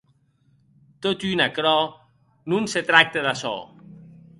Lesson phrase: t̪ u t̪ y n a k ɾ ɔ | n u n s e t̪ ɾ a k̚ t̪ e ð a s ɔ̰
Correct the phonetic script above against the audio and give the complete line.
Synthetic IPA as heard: t̪ o t̪ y n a k ɾ ɔ | n u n s e t̪ ɾ a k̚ t̪ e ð a s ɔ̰